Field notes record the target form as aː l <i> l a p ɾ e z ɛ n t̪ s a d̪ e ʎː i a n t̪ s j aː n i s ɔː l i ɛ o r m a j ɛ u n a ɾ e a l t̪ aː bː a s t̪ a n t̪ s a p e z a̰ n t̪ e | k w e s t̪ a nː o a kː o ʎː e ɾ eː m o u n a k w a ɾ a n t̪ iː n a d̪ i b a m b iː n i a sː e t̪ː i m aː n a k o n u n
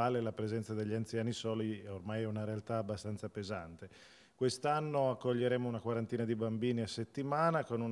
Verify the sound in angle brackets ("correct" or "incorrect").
incorrect